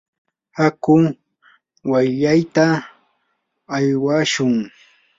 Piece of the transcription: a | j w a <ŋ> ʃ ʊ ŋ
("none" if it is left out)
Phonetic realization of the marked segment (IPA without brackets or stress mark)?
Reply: none